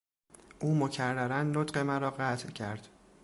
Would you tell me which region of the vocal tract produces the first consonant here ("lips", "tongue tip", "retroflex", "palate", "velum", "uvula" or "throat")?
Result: throat